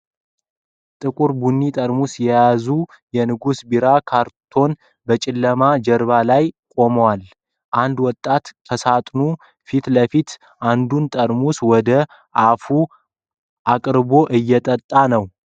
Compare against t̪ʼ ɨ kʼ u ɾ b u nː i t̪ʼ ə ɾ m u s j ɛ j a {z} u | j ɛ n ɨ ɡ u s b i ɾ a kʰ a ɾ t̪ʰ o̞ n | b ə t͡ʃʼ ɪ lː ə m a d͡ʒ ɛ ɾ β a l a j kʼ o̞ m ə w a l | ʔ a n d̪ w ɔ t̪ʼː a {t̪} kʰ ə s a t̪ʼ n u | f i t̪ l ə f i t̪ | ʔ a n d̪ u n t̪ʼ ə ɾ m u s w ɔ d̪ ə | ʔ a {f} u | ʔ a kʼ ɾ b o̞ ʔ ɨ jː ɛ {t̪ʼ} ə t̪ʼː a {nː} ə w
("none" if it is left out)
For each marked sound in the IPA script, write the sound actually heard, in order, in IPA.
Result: z, t̪, f, t̪ʼ, n

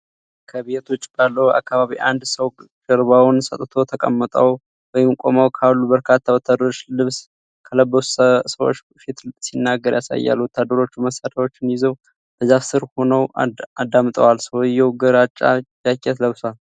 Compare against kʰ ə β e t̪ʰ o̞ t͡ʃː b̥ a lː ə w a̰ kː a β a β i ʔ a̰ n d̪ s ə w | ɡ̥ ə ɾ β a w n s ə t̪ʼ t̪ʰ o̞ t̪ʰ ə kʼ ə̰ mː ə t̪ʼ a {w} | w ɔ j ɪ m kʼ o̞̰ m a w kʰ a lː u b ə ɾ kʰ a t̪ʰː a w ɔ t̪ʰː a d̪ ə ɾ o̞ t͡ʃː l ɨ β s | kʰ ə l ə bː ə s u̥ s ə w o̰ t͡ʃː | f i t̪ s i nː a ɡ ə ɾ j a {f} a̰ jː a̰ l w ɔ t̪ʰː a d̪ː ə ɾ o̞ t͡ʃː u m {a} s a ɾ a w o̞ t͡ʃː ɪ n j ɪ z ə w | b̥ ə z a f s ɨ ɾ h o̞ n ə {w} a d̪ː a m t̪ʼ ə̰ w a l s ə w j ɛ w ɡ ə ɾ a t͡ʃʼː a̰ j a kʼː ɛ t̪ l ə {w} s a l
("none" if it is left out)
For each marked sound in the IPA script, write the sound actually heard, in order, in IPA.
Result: w, s, ə, w, β

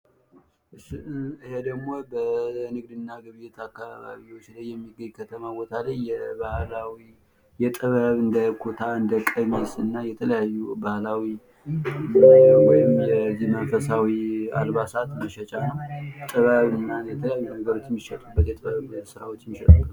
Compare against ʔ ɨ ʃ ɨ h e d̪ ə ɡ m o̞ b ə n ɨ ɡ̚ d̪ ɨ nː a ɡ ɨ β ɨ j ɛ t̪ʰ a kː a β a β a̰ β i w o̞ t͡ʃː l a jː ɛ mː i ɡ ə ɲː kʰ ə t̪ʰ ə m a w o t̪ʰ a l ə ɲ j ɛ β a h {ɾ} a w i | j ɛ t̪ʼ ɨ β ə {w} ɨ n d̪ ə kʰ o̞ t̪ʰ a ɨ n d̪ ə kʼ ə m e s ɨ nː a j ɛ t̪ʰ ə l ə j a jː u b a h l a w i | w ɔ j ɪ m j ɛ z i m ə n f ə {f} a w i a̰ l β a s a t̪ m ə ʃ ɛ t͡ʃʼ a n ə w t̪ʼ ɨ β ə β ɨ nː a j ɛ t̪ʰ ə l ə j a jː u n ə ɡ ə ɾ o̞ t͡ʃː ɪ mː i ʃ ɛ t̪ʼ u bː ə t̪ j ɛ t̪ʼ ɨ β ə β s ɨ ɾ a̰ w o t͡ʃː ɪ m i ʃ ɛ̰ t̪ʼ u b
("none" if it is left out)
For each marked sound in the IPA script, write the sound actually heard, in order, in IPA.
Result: l, β, s

